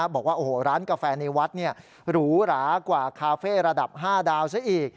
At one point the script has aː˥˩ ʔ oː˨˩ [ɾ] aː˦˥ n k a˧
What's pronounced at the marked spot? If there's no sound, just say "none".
ɾ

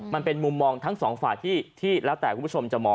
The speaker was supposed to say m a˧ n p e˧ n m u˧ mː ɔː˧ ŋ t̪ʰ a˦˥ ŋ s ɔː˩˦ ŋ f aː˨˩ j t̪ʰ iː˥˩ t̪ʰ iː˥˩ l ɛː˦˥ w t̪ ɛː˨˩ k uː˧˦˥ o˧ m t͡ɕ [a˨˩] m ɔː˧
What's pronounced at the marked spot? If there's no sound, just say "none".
a˨˩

